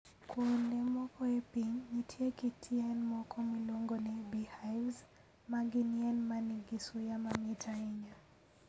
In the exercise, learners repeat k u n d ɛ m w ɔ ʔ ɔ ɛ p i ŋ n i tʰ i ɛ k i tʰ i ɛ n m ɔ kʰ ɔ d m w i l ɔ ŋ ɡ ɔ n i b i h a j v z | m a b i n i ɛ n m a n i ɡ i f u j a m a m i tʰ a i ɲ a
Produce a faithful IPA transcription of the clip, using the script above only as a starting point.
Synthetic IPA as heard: k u n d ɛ m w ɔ k ɔ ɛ p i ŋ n i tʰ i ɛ k i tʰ i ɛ n m ɔ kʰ ɔ m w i l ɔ ŋ ɡ ɔ n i b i h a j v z | m a ɡ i n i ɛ n m a n i ɡ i s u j a m a m i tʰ a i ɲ a